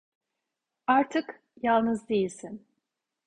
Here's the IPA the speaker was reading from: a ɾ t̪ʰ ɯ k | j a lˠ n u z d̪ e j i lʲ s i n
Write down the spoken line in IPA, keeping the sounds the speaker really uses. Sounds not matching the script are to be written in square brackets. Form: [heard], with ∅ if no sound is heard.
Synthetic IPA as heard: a ɾ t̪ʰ ɯ k | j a lˠ n [ɯ] z d̪ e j i lʲ s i n